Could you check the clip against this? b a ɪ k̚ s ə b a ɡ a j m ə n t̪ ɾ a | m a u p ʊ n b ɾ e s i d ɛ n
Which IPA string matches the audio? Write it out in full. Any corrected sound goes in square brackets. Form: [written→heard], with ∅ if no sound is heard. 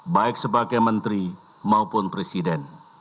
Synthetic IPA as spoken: b a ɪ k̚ s ə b a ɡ a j m ə n t̪ ɾ [a→i] | m a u p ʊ n [b→p] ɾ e s i d ɛ n